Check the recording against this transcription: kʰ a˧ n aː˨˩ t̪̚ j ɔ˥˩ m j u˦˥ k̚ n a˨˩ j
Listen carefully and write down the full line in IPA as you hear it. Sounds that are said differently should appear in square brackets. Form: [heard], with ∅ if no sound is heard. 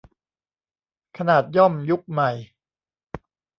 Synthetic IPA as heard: kʰ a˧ n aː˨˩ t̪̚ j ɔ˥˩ m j u˦˥ k̚ [m] a˨˩ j